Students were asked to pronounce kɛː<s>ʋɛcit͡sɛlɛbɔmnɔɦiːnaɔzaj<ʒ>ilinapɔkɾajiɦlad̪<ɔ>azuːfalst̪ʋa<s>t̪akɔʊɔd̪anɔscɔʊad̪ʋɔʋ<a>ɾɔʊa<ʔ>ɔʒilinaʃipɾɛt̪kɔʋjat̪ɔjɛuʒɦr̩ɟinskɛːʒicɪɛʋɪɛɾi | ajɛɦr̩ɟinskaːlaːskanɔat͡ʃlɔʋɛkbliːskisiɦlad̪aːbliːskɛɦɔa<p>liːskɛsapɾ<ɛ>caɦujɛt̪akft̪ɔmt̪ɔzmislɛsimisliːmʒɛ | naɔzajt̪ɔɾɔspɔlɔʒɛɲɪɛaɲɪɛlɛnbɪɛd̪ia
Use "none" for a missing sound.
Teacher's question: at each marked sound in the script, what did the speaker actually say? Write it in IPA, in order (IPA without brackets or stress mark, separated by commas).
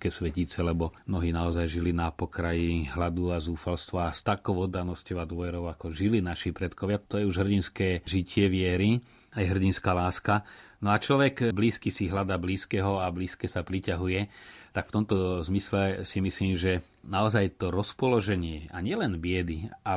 s, ʒ, u, s, ɛ, k, b, i